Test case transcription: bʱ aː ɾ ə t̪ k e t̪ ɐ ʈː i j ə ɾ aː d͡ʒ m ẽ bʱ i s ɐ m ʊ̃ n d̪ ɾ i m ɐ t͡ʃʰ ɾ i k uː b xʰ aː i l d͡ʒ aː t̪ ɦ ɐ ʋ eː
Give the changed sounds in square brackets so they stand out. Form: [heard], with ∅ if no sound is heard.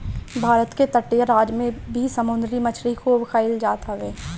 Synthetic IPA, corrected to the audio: bʱ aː ɾ ə t̪ k e t̪ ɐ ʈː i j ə ɾ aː d͡ʒ m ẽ bʱ i s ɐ m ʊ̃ n d̪ ɾ i m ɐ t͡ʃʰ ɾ i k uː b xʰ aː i l d͡ʒ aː t̪ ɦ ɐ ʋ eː